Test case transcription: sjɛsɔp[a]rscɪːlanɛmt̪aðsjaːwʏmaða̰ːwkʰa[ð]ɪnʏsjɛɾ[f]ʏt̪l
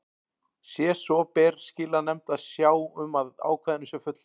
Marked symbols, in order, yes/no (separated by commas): no, yes, yes